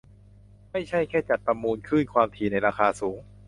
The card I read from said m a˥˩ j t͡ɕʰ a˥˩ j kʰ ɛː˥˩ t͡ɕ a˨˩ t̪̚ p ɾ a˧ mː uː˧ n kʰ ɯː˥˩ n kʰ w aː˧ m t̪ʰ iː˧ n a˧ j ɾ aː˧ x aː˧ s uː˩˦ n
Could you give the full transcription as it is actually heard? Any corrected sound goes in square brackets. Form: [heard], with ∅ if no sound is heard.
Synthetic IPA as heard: m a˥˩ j t͡ɕʰ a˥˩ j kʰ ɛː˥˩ t͡ɕ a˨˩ t̪̚ p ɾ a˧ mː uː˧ n kʰ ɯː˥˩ n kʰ w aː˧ m t̪ʰ iː˧ n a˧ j ɾ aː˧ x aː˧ s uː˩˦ [ŋ]